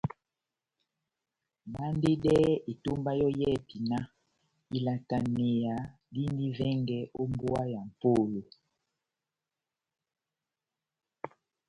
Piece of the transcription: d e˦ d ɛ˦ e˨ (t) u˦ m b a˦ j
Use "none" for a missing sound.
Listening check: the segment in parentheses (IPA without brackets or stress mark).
t